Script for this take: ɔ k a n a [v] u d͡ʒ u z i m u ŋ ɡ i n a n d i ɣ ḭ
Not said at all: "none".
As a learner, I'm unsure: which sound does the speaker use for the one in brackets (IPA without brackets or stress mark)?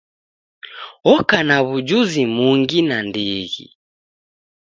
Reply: β